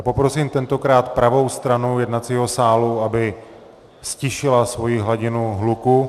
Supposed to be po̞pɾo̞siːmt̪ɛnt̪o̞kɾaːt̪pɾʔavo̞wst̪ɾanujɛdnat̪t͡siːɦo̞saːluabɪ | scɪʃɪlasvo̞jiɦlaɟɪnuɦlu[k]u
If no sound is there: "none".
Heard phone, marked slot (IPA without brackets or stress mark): k